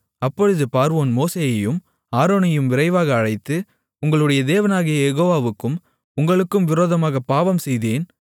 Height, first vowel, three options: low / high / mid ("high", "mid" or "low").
low